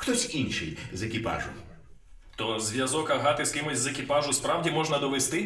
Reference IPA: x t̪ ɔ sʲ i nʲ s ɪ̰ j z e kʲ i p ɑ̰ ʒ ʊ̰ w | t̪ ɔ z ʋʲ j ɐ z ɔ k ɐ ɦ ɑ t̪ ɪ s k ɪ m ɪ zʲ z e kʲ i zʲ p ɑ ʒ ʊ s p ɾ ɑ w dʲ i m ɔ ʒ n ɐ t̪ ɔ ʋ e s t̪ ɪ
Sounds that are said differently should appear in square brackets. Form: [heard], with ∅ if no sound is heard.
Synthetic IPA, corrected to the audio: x t̪ ɔ sʲ i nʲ [ʃ] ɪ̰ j z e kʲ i p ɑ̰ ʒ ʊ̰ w | t̪ ɔ z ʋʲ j ɐ z ɔ k ɐ ɦ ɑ t̪ ɪ s k ɪ m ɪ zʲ z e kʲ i [∅] p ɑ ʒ ʊ s p ɾ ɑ w dʲ i m ɔ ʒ n ɐ [d̪] ɔ ʋ e s t̪ ɪ